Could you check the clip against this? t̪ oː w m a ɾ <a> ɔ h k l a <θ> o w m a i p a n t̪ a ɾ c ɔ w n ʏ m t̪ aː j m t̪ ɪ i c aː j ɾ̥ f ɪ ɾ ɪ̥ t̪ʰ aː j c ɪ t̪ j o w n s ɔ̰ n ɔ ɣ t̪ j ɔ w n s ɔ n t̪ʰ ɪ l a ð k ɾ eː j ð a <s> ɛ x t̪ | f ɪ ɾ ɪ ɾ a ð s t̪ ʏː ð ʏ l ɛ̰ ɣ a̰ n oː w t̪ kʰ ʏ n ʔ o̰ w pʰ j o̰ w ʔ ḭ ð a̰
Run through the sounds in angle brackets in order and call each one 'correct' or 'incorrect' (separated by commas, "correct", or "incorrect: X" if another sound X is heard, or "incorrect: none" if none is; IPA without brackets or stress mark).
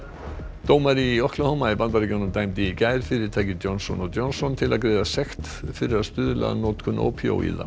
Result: incorrect: i, incorrect: h, correct